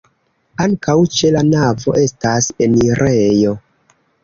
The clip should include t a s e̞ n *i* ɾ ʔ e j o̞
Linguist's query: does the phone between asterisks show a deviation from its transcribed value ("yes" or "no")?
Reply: no